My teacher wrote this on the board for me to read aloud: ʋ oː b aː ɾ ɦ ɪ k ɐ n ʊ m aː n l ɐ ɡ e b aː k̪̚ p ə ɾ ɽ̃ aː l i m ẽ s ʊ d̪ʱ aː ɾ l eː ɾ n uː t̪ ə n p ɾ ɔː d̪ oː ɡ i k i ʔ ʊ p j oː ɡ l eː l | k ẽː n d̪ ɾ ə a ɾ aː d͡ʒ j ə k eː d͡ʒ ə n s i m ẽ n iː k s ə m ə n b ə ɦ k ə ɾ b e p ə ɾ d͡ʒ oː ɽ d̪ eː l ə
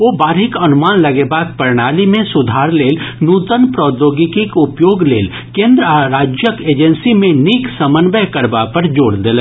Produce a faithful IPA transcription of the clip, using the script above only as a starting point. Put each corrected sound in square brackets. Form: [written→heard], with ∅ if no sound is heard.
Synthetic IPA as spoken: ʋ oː b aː ɾ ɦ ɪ k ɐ n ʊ m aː n l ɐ ɡ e b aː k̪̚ p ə ɾ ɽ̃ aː l i m ẽ s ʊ d̪ʱ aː ɾ l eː [ɾ→l] n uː t̪ ə n p ɾ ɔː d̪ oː ɡ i k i [ʔ→k] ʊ p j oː ɡ l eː l | k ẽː n d̪ ɾ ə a ɾ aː d͡ʒ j ə k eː d͡ʒ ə n s i m ẽ n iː k s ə m ə n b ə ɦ k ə ɾ b [e→a] p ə ɾ d͡ʒ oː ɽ d̪ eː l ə